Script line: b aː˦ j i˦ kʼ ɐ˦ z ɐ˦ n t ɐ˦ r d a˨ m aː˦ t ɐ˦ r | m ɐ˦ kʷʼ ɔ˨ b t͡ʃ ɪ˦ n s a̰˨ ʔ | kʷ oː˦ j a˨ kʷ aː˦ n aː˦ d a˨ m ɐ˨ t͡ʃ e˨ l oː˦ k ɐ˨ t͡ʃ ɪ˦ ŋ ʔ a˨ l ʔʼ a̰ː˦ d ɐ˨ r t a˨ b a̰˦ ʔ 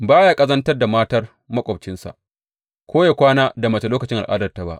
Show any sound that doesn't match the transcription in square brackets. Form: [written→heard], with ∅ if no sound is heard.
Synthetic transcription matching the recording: b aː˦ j [i˦→a˦] kʼ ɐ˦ z ɐ˦ n t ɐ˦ r d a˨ m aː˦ t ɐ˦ r | m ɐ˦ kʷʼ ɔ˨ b t͡ʃ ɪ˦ n s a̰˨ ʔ | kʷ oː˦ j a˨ kʷ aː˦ n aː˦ d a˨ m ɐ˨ t͡ʃ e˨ l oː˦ k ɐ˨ t͡ʃ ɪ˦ ŋ ʔ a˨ l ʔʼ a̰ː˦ d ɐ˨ r t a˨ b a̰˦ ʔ